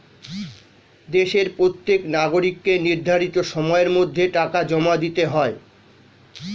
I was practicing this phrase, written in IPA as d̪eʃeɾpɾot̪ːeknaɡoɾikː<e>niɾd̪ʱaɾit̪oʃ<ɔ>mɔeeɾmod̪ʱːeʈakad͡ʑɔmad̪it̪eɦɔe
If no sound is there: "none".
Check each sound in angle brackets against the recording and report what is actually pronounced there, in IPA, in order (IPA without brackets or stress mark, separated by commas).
e, ɔ